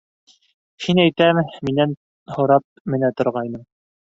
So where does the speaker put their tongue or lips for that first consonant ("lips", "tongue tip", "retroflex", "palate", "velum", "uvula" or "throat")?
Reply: throat